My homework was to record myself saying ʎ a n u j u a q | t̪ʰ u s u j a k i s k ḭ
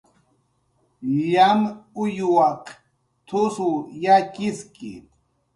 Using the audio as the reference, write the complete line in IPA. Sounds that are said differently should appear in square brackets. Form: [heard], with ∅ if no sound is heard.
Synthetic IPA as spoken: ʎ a [m] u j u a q | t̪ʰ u s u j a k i s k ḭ